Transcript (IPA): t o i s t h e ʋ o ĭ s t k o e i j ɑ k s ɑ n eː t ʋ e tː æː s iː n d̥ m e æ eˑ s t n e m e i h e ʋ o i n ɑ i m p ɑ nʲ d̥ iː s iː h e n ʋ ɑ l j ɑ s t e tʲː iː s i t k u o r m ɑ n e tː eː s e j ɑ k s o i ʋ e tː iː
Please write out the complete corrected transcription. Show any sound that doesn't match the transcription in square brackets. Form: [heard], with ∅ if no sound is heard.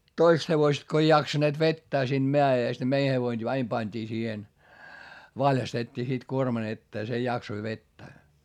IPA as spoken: t o i s t h e ʋ o ĭ s t k o e i j ɑ k s ɑ n eː t ʋ e tː æː s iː n d̥ m e æ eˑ s t n e m e i h e ʋ o i n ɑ i m p ɑ nʲ d̥ iː s iː h e n ʋ ɑ l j ɑ s t e tʲː iː s i t k u o r m ɑ n e tː eː s e j ɑ k s o i ʋ e tː [æː]